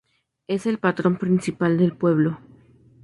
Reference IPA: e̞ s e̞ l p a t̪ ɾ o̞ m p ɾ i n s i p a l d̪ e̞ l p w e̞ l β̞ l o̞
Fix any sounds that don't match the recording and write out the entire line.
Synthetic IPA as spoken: e̞ s e̞ l p a t̪ ɾ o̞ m p ɾ i n s i p a l d̪ e̞ l p w e̞ β̞ l o̞